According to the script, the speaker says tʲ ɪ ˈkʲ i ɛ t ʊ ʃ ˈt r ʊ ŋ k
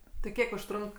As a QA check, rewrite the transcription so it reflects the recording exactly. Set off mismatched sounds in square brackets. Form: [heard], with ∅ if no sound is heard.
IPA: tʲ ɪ ˈkʲ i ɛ [k] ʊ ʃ ˈt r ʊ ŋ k